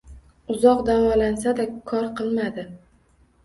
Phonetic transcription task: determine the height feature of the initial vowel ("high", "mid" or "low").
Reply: high